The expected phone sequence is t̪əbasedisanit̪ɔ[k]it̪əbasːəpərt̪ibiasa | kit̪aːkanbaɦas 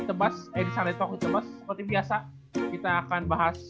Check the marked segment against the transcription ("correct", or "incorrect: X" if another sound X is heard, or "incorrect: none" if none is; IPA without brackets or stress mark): correct